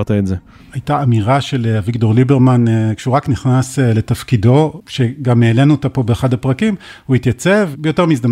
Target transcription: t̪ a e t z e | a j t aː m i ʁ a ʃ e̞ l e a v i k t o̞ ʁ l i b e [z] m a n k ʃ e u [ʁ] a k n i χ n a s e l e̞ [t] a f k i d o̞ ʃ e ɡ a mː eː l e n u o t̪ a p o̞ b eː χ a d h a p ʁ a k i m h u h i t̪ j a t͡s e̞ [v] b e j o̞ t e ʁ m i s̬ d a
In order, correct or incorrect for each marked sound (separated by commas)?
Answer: incorrect, correct, correct, correct